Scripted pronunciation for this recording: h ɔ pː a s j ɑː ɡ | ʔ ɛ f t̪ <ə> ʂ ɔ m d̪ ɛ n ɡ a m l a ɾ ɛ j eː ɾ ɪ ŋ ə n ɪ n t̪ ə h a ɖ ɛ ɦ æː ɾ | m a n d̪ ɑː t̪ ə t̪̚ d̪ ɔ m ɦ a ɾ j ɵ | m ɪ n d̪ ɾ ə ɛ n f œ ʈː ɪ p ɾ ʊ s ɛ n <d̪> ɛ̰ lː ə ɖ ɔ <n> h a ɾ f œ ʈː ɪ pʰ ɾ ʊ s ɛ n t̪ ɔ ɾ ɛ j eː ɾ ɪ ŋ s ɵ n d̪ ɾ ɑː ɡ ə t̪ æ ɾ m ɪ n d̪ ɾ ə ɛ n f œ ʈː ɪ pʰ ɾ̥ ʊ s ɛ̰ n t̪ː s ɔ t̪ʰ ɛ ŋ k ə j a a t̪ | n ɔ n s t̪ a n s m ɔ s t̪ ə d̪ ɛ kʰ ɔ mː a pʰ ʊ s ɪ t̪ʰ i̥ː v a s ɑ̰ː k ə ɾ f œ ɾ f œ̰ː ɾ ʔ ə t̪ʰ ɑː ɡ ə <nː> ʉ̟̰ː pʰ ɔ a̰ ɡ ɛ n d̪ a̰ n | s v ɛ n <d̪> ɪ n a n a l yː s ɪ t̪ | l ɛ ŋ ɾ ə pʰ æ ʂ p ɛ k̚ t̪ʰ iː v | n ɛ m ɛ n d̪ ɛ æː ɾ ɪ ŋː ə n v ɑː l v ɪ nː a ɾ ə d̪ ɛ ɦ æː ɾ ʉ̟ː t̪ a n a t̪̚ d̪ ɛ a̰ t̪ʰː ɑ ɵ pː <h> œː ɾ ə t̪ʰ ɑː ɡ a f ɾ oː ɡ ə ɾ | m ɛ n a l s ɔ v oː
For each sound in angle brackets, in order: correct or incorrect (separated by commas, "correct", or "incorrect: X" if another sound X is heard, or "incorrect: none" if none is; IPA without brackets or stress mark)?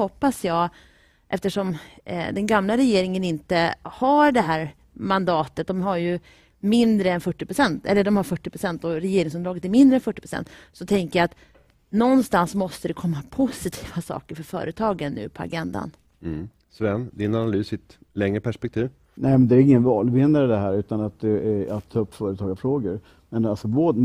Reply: correct, incorrect: t̪, incorrect: m, correct, correct, incorrect: f